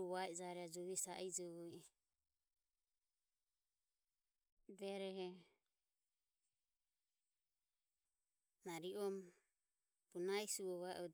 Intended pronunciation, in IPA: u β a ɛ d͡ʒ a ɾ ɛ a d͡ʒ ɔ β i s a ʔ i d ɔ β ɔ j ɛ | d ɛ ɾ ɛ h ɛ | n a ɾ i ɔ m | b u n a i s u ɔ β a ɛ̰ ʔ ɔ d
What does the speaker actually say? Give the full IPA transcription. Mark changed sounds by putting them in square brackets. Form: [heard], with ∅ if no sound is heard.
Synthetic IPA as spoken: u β a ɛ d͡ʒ a ɾ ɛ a d͡ʒ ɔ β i s a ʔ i [d͡ʒ] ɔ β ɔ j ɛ | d ɛ ɾ ɛ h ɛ | n a ɾ i ɔ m | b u n a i s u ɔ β a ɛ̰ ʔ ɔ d